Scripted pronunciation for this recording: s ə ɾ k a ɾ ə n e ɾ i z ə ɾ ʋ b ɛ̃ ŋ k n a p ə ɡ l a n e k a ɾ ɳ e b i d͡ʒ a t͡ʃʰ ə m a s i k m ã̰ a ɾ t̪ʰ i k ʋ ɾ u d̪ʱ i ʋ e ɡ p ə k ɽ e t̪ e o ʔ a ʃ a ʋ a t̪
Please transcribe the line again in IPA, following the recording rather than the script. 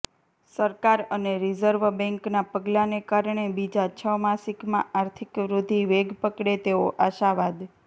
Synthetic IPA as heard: s ə ɾ k a ɾ ə n e ɾ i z ə ɾ ʋ b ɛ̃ ŋ k n a p ə ɡ l a n e k a ɾ ɳ e b i d͡ʒ a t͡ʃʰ ə m a s i k m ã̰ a ɾ t̪ʰ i k ʋ ɾ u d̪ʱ i ʋ e ɡ p ə k ɽ e t̪ e o ʔ a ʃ a ʋ a d̪